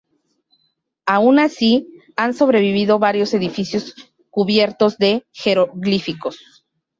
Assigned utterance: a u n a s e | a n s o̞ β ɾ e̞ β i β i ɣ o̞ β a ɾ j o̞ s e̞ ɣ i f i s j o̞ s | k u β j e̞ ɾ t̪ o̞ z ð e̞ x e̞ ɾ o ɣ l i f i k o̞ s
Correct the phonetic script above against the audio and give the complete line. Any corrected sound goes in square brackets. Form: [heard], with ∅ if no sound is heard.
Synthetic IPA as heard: a u n a s [i] | a n s o̞ β ɾ e̞ β i β i [ð] o̞ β a ɾ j o̞ s e̞ [ð] i f i s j o̞ s | k u β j e̞ ɾ t̪ o̞ z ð e̞ x e̞ ɾ o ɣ l i f i k o̞ s